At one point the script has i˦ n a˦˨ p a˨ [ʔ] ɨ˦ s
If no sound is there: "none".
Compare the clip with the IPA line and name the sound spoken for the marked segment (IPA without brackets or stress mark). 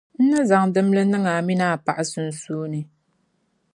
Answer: ʔ